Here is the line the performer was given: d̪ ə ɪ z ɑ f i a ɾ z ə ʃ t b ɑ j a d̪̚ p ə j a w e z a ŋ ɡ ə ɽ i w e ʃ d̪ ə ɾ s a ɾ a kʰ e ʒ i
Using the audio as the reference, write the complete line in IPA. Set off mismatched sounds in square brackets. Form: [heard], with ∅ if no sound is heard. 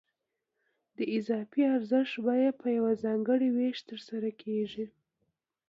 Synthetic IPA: d̪ ə ɪ z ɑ f i a ɾ z ə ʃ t b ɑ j a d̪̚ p ə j a w [a] z [ɑ] ŋ ɡ ə ɽ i w e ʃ [t̪] ə ɾ s a ɾ a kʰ e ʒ i